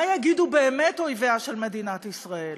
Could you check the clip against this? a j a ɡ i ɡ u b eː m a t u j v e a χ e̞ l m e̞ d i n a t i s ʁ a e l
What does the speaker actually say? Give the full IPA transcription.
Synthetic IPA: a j a ɡ i d u b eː m e t o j v e a ʃ e̞ l m e̞ d i n a t i s ʁ a e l

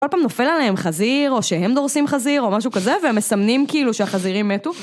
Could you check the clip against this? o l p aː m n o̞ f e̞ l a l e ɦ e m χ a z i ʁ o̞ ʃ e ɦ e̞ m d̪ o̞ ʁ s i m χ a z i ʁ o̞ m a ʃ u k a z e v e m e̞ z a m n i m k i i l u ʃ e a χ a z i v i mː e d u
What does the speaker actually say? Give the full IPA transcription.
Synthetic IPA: o l p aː m n o̞ f e̞ l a l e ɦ e m χ a z i ʁ o̞ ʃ e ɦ e̞ m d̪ o̞ ʁ s i m χ a z i ʁ o̞ m a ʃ u k a z e v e m e̞ s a m n i m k i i l u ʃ e a χ a z i ʁ i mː e t u

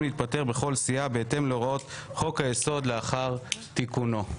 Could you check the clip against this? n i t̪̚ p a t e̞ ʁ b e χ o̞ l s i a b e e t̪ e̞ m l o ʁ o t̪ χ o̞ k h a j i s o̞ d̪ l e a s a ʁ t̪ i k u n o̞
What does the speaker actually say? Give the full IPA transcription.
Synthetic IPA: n i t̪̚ p a t e̞ ʁ b e χ o̞ l s i a b e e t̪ e̞ m l o ʁ o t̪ χ o̞ k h a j e s o̞ d̪ l e a χ a ʁ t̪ i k u n o̞

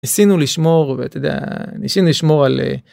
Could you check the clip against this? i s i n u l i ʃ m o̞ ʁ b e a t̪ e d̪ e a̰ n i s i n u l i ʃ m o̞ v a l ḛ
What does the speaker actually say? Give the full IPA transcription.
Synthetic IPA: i s i n u l i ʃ m o̞ ʁ v e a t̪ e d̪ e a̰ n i s i n u l i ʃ m o̞ ʁ a l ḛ

